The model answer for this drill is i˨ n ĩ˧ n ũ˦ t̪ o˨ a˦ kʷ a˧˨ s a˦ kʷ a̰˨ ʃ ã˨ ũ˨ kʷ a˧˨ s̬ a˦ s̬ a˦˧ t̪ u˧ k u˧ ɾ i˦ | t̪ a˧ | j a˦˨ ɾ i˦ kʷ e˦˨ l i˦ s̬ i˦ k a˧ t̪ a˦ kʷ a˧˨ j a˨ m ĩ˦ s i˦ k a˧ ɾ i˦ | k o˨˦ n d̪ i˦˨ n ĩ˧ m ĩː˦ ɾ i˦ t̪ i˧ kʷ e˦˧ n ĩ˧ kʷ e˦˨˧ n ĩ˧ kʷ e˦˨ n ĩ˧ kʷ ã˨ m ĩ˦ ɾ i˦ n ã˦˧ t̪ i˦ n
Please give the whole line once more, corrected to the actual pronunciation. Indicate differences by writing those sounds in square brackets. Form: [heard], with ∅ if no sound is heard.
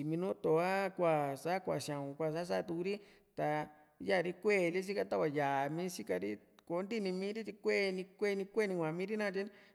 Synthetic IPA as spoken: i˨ [m] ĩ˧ n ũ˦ t̪ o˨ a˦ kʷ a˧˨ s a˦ kʷ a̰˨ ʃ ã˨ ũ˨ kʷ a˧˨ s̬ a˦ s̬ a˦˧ t̪ u˧ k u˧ ɾ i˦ | t̪ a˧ | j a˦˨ ɾ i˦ kʷ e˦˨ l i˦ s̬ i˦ k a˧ t̪ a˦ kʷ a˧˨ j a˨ m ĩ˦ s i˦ k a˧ ɾ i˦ | k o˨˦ n d̪ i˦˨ n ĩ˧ m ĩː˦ ɾ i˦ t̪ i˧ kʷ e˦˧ n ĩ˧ kʷ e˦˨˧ n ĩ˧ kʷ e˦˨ n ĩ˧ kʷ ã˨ m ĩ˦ ɾ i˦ n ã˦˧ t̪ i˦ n